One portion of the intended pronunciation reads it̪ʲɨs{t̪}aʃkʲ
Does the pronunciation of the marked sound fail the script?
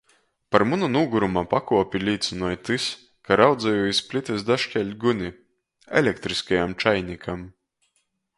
yes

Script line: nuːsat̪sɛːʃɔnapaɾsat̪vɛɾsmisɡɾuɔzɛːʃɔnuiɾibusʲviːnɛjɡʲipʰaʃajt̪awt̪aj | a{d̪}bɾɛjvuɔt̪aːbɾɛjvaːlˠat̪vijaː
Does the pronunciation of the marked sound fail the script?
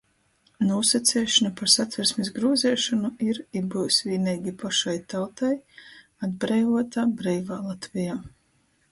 no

